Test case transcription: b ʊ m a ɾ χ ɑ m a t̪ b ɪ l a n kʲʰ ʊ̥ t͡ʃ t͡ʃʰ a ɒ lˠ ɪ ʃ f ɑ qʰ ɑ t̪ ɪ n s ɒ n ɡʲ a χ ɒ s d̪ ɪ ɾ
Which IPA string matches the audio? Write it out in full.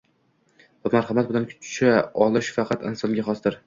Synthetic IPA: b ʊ m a ɾ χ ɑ m a t̪ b ɪ l a n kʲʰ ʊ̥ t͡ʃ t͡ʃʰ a ɒ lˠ ɪ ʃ f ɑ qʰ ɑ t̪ ɪ n s ɒ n ɡʲ a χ ɒ s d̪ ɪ ɾ